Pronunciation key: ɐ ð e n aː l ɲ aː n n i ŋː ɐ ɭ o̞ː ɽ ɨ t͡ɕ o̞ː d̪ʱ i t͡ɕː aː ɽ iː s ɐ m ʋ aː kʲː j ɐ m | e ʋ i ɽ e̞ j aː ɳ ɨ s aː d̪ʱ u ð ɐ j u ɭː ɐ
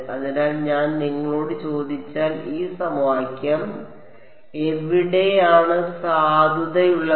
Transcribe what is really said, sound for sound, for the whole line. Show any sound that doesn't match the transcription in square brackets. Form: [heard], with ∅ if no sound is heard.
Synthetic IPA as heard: ɐ ð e n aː l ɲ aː n n i ŋː ɐ ɭ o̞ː ɽ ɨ t͡ɕ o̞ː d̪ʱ i t͡ɕː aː [l] iː s ɐ m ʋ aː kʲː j ɐ m | e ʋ i ɽ e̞ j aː ɳ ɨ s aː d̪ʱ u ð ɐ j u ɭː ɐ